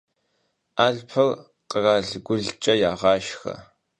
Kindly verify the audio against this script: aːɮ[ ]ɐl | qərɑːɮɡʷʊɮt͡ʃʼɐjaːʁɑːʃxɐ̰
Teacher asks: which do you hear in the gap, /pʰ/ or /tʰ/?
pʰ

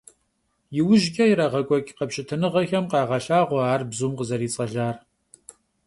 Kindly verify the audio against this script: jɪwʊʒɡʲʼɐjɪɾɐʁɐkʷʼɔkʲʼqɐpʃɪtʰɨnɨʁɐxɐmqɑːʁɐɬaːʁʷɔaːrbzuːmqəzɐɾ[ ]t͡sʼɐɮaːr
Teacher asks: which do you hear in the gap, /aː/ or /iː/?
iː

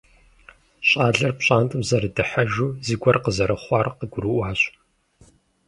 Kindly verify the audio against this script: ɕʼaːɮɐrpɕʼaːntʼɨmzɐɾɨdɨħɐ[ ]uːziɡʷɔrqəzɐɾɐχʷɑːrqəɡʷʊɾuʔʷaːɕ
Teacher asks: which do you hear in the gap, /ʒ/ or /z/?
ʒ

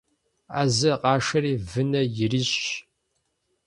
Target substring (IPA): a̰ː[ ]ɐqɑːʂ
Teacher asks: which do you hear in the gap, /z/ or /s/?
z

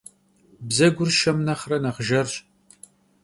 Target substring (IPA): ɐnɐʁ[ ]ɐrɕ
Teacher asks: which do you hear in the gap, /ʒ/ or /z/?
ʒ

